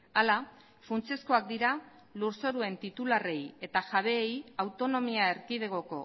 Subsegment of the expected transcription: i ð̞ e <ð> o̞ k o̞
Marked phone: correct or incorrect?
incorrect